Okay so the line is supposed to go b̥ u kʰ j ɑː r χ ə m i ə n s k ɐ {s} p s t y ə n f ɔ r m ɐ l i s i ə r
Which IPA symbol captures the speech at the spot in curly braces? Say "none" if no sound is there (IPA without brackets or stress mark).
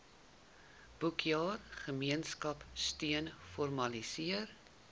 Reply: none